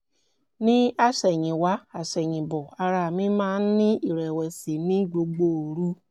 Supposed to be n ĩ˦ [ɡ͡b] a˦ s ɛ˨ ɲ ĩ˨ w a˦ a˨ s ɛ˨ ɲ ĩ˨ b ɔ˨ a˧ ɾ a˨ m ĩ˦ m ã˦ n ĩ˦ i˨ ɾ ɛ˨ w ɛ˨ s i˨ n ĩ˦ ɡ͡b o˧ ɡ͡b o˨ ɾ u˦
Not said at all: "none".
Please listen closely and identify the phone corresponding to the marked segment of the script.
none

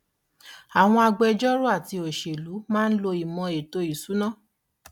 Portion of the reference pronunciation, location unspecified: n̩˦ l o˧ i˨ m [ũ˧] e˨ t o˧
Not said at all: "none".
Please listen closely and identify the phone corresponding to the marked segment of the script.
ɔ̃˧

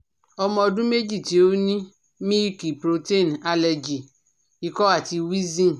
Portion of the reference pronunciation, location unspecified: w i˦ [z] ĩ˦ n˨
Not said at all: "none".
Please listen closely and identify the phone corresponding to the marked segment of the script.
z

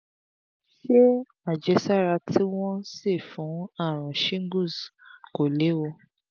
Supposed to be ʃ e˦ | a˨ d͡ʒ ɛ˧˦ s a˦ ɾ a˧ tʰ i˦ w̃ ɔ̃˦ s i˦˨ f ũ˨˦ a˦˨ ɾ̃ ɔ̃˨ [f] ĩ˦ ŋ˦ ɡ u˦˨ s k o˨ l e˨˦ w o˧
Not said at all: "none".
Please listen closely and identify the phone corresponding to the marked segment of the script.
ʃ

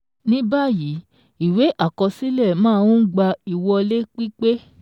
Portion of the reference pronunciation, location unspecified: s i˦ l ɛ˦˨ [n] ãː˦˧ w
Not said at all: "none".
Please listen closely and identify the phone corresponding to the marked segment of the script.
m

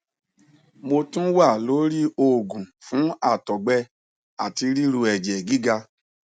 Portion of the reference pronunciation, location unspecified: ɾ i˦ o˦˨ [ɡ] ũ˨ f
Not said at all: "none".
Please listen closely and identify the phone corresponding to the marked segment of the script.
ɡ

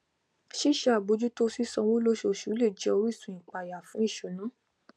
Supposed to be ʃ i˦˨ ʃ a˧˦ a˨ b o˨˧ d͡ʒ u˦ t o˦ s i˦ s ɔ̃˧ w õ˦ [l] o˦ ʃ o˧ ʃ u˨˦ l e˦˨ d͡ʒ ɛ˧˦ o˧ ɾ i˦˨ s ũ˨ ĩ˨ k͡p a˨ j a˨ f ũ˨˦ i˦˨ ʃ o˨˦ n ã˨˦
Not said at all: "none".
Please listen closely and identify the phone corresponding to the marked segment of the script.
l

